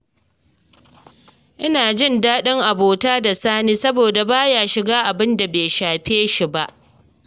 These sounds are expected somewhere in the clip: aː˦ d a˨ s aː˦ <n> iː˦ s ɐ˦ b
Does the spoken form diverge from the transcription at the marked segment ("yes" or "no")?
no